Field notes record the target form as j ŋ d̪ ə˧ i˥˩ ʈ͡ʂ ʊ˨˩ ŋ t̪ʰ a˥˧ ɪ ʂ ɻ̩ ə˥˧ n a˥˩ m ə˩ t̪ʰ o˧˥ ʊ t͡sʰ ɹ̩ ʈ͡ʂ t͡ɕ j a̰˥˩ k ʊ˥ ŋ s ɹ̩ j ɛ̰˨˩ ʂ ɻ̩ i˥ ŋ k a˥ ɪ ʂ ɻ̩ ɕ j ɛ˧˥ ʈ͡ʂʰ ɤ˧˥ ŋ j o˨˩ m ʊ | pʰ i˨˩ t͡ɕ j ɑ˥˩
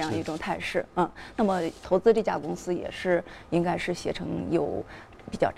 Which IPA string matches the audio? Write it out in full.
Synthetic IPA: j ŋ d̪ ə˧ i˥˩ ʈ͡ʂ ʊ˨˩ ŋ t̪ʰ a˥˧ ɪ ʂ ɻ̩ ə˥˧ n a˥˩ m ə˩ t̪ʰ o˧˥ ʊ t͡s ɹ̩ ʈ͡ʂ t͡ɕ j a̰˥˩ k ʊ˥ ŋ s ɹ̩ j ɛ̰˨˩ ʂ ɻ̩ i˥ ŋ k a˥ ɪ ʂ ɻ̩ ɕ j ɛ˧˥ ʈ͡ʂʰ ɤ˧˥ ŋ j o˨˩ ʊ | p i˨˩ t͡ɕ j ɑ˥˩